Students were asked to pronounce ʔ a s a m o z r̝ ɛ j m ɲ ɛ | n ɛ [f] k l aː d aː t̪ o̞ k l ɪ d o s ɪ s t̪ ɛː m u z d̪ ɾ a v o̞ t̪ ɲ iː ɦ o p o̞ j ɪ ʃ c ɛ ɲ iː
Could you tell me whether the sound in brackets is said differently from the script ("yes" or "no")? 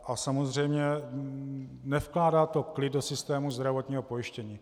no